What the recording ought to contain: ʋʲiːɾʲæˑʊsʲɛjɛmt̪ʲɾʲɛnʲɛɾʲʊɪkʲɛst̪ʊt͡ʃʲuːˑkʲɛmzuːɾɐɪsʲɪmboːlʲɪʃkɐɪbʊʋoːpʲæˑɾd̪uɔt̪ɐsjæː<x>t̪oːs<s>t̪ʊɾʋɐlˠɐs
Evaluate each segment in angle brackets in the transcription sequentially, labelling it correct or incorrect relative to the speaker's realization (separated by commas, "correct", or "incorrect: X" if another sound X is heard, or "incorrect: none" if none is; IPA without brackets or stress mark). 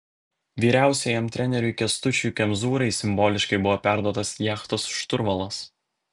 correct, incorrect: ʃ